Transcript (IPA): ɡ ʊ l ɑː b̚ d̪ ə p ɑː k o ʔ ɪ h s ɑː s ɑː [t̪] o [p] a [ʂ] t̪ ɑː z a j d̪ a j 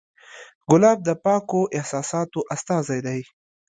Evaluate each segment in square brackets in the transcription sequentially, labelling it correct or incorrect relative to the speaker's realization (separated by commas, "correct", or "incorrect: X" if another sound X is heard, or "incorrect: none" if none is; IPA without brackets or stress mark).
correct, incorrect: ʔ, incorrect: s